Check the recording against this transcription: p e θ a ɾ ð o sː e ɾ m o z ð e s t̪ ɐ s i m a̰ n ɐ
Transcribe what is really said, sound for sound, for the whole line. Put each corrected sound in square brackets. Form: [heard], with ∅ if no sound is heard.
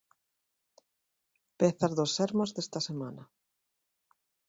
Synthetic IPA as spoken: p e θ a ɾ ð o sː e ɾ m o z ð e s t̪ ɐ s [e] m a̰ n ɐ